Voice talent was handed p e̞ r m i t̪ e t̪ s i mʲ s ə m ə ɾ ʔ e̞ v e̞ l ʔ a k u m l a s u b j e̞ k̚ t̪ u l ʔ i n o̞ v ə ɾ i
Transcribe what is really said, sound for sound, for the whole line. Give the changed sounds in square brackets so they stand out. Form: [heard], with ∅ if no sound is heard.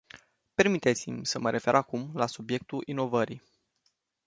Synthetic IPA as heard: p e̞ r m i t̪ e t̪ s i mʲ s ə m ə ɾ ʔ e̞ [f] e̞ [ɾ] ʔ a k u m l a s u b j e̞ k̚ t̪ u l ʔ i n o̞ v ə ɾ i